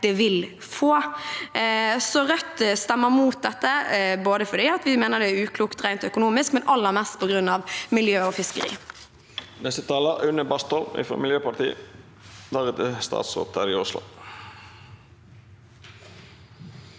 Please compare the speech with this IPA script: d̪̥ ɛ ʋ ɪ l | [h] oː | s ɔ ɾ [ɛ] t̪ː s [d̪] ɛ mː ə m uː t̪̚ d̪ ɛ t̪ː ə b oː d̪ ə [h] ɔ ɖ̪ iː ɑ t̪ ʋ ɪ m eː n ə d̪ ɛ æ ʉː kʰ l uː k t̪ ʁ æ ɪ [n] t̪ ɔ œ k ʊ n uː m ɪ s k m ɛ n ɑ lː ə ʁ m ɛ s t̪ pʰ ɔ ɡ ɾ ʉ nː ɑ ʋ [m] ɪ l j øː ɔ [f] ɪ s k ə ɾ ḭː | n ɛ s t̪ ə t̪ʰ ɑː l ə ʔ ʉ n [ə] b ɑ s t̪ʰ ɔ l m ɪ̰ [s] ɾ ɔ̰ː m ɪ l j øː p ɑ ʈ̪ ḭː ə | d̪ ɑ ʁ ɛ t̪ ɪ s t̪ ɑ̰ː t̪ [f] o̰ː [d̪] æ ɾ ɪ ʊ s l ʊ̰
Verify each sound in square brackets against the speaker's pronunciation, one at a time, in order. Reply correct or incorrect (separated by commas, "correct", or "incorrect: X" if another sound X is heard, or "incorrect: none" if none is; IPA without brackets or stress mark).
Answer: incorrect: f, incorrect: œ, incorrect: t̪, incorrect: f, correct, correct, correct, correct, incorrect: f, incorrect: s, incorrect: t̪